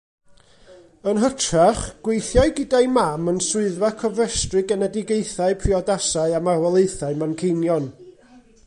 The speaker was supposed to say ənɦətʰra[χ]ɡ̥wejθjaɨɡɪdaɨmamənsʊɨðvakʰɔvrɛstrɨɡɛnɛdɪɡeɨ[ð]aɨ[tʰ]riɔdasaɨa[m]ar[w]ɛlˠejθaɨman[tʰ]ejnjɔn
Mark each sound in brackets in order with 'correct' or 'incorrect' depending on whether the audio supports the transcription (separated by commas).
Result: correct, incorrect, incorrect, correct, correct, incorrect